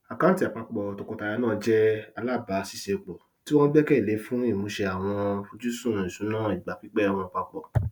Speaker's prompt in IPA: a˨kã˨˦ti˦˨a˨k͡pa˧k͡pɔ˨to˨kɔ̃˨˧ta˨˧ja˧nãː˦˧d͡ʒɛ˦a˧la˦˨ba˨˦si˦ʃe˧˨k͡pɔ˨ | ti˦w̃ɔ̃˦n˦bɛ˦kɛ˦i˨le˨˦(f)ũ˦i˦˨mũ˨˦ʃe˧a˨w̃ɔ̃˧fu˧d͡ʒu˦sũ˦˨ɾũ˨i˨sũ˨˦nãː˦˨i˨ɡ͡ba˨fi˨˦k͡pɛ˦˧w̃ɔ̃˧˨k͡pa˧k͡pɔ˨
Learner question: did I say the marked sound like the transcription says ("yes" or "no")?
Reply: yes